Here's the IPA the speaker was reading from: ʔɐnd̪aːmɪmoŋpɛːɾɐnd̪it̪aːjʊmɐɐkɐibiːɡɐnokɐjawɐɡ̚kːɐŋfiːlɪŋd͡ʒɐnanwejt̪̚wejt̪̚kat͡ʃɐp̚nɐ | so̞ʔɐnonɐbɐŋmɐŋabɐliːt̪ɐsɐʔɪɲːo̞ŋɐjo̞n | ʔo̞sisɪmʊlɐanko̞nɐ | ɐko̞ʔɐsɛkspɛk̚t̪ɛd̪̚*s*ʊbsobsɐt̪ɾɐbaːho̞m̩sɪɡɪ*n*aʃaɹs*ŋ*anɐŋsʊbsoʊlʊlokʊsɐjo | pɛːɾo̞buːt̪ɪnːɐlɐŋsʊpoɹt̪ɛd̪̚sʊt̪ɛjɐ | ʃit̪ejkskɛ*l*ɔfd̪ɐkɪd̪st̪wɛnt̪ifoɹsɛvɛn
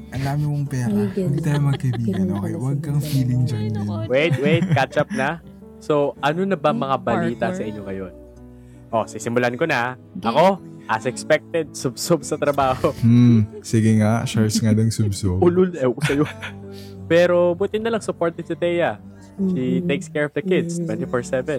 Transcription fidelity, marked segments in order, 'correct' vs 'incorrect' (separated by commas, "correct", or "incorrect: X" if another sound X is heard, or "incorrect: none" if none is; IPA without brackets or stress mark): correct, incorrect: ŋ, correct, incorrect: ɹ